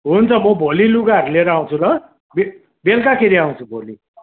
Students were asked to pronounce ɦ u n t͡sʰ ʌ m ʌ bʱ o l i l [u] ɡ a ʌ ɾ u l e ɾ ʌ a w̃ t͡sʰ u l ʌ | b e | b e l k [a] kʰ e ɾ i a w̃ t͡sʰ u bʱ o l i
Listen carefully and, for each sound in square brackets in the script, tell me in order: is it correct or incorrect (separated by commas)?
correct, correct